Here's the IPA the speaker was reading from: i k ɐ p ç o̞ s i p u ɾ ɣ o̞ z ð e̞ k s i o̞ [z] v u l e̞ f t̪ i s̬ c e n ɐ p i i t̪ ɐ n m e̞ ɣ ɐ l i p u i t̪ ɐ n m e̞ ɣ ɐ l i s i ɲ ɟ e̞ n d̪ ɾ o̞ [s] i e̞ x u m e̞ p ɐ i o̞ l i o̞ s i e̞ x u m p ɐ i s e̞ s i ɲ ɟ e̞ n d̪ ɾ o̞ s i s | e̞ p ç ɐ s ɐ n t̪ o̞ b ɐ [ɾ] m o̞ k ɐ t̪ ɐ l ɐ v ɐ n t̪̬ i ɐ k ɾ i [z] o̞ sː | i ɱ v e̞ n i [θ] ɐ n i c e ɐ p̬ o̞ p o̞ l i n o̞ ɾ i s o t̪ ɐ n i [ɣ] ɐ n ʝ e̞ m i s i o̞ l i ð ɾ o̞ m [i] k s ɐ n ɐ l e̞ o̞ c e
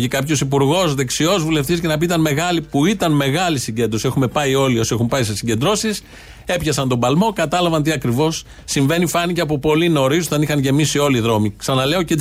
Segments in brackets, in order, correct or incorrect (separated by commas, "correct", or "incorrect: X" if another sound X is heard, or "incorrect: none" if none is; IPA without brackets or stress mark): correct, correct, incorrect: l, incorrect: v, incorrect: f, incorrect: x, correct